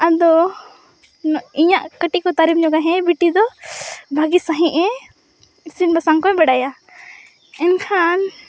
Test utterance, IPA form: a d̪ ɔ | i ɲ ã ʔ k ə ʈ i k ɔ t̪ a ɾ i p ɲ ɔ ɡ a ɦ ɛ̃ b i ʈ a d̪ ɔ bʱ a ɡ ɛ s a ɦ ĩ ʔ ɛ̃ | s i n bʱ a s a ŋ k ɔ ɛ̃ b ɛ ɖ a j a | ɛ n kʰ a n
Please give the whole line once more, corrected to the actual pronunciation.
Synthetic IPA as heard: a d̪ ɔ | i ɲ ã ʔ k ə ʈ i k ɔ t̪ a ɾ i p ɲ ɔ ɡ a ɦ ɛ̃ b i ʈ i d̪ ɔ bʱ a ɡ i s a ɦ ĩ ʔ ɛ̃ | s i n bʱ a s a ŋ k ɔ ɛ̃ b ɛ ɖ a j a | ɛ n kʰ a n